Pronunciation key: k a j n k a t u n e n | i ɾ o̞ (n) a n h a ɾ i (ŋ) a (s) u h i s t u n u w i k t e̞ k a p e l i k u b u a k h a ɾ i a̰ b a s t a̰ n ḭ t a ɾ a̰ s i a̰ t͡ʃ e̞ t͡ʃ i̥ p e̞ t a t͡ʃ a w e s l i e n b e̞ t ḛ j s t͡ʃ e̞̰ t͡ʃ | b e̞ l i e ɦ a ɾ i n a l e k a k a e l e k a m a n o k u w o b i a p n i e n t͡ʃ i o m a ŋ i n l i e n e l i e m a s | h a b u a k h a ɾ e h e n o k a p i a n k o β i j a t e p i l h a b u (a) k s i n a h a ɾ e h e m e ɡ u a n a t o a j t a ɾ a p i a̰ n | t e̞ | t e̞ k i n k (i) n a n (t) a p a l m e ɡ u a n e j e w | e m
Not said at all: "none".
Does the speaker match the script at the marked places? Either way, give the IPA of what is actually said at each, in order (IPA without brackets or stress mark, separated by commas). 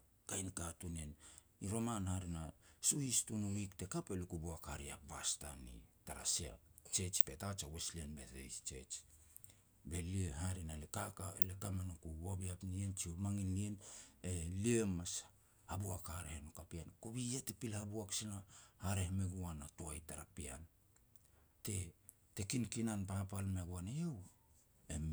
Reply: m, n, s, a, i, p